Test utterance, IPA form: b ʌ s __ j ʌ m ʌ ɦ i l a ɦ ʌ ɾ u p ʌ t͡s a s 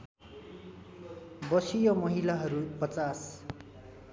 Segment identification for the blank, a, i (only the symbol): i